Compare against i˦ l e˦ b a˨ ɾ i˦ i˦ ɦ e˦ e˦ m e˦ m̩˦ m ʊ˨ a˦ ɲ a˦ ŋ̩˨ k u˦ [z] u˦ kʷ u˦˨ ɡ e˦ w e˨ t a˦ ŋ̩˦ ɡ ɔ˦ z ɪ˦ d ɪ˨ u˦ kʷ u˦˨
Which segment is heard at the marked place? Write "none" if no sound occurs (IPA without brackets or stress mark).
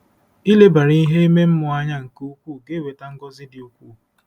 none